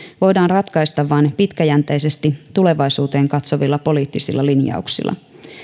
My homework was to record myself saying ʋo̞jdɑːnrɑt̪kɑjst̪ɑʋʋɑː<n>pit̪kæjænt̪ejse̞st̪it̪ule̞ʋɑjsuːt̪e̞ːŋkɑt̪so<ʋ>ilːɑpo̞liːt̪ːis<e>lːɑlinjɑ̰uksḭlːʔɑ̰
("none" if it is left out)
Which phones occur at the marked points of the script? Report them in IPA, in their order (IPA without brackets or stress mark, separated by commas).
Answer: n, ʋ, i